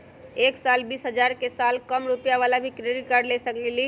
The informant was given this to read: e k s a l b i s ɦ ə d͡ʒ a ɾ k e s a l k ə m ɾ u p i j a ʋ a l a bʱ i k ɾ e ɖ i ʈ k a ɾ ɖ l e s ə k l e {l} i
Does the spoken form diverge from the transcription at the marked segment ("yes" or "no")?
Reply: no